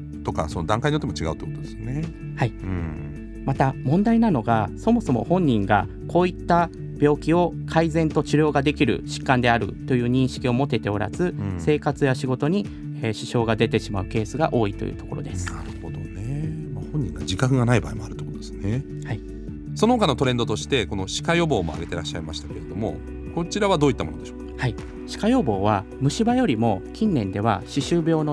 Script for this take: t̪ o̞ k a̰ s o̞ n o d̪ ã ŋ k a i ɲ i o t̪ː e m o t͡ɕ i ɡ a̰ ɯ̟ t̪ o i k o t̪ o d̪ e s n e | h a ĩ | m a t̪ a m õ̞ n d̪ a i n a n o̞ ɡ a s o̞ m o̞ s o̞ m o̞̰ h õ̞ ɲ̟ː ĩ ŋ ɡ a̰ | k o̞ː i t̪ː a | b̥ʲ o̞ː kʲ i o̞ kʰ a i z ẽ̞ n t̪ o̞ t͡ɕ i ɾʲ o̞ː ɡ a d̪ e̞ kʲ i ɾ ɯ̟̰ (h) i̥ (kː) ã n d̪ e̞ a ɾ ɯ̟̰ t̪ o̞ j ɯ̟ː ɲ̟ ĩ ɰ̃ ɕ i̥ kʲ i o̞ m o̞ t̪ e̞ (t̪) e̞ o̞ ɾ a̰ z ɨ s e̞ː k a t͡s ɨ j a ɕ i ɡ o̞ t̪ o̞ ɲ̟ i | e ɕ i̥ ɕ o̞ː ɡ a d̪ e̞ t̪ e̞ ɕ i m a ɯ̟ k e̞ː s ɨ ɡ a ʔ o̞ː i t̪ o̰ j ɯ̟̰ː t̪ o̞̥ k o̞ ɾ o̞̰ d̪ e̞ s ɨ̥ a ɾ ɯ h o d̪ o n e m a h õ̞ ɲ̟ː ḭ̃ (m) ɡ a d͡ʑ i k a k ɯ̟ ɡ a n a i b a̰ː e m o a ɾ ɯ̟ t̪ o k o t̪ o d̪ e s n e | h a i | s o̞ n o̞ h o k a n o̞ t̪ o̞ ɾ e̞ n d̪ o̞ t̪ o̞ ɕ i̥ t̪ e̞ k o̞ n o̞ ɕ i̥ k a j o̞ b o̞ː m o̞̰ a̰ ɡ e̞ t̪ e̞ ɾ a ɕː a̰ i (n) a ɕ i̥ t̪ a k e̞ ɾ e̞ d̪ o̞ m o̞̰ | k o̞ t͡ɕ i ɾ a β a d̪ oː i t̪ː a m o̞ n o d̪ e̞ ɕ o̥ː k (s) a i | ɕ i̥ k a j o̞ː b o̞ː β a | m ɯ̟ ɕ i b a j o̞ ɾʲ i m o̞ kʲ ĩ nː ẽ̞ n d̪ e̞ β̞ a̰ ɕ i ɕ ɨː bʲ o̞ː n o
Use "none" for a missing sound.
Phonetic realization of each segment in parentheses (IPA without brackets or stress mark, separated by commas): ɕ, kː, t̪, ŋ, m, h